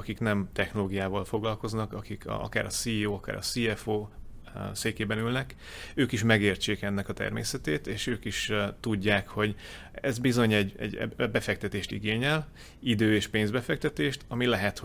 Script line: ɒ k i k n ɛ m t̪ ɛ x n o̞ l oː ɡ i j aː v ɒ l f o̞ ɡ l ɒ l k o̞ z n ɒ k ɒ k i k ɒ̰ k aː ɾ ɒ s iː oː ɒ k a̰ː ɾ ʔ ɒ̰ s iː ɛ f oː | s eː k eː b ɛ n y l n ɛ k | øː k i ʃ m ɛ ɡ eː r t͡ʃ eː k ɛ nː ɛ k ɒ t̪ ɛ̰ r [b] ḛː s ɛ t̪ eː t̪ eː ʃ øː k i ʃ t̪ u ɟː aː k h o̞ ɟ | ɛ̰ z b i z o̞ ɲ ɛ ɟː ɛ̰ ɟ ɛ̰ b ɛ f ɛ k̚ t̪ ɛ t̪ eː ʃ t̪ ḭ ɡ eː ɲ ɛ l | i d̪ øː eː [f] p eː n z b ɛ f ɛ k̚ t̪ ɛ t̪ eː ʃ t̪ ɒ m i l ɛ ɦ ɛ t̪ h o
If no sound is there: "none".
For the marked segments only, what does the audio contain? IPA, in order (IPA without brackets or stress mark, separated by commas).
m, ʃ